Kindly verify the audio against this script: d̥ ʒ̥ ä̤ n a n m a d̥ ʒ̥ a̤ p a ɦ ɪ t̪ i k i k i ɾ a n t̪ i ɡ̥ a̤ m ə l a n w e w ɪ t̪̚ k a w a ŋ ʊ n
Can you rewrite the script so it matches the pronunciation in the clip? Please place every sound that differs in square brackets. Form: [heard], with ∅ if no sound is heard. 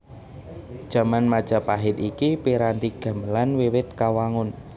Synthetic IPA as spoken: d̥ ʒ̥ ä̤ [m] a n m a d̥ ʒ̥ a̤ p a ɦ ɪ t̪ i k i [p] i ɾ a n t̪ i ɡ̥ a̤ m ə l a n w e w ɪ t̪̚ k a w a ŋ ʊ n